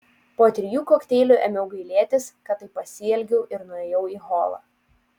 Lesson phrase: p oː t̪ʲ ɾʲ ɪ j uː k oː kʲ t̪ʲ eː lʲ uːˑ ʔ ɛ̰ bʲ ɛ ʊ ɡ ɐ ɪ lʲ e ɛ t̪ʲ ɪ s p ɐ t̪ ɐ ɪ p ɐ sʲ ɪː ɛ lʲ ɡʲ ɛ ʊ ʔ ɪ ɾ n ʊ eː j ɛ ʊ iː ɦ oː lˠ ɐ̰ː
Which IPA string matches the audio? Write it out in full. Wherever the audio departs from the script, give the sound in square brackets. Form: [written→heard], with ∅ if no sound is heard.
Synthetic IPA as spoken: p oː t̪ʲ ɾʲ ɪ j uː k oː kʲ t̪ʲ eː lʲ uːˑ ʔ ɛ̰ [bʲ→mʲ] ɛ ʊ ɡ ɐ ɪ lʲ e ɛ t̪ʲ ɪ s [p→k] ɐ t̪ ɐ ɪ p ɐ sʲ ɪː ɛ lʲ ɡʲ ɛ ʊ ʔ ɪ ɾ n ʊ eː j ɛ ʊ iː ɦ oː lˠ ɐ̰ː